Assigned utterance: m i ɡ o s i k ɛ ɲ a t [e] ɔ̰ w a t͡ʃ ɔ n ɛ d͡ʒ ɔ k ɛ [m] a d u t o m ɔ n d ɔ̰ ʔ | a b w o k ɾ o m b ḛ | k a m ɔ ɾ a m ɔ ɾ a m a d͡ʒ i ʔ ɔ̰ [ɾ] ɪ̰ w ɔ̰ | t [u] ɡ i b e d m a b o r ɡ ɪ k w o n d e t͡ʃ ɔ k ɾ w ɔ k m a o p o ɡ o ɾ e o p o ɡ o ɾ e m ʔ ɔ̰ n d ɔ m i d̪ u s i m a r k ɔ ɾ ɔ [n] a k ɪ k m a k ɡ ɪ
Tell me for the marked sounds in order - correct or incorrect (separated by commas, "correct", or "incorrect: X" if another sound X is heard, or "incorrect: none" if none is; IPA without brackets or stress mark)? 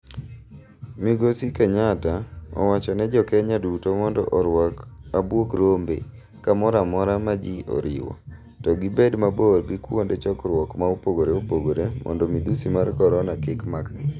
incorrect: a, incorrect: ɲ, correct, incorrect: ɔ, correct